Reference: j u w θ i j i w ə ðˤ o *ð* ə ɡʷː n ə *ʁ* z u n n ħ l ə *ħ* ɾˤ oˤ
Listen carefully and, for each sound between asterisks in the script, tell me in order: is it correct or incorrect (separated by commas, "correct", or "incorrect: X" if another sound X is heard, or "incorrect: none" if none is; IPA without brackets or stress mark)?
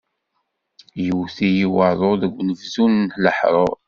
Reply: correct, incorrect: v, correct